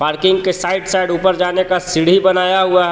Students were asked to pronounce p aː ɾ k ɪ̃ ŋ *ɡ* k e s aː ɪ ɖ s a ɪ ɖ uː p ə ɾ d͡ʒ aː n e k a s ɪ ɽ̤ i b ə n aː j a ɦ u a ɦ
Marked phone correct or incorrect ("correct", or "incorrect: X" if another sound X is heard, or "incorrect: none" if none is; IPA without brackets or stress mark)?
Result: correct